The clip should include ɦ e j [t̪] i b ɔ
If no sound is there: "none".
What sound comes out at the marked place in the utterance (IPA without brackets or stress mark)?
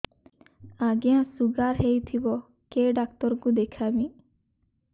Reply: t̪ʰ